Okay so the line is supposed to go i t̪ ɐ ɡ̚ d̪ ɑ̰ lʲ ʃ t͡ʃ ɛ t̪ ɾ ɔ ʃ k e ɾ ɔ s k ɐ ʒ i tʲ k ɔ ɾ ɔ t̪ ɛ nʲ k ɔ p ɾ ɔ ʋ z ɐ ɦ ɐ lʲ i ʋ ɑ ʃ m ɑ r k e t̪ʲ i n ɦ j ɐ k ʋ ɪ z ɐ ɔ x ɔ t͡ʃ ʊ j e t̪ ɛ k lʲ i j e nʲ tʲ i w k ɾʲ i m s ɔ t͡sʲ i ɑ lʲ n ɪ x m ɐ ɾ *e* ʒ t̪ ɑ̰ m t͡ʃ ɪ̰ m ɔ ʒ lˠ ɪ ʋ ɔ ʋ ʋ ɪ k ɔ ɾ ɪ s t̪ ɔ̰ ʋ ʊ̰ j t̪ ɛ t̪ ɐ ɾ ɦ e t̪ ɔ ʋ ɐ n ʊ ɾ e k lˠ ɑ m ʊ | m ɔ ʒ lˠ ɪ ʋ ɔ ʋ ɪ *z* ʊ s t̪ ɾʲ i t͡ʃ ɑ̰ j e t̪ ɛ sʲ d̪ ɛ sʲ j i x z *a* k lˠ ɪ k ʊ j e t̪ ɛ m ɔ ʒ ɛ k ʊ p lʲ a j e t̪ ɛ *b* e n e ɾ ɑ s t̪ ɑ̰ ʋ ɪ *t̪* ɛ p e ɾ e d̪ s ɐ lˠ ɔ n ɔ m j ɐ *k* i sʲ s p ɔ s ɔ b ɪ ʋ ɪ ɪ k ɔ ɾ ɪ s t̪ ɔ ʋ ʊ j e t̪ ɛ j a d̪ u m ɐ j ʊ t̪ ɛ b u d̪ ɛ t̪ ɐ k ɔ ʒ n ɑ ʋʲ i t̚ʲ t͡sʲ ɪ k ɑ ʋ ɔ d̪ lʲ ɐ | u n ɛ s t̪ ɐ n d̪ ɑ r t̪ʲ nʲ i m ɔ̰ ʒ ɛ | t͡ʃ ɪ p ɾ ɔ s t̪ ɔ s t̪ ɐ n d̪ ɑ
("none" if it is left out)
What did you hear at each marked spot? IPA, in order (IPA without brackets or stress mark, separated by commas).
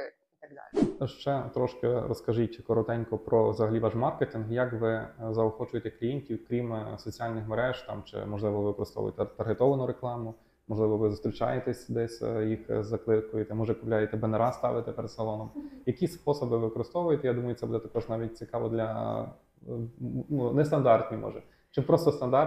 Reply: ɛ, z, ɐ, b, t̪, k